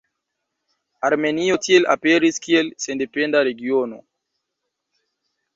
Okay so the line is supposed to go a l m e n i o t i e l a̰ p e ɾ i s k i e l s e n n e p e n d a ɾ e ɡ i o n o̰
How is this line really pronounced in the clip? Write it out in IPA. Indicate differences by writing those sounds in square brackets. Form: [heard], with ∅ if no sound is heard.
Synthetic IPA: a [ɾ] m e n i o t i e l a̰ p e ɾ i s k i e l s e n [d] e p e n d a ɾ e ɡ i o n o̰